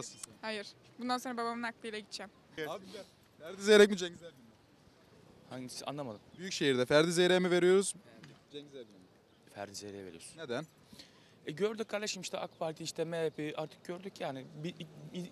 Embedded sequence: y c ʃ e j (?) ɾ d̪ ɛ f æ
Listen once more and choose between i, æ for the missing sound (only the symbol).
i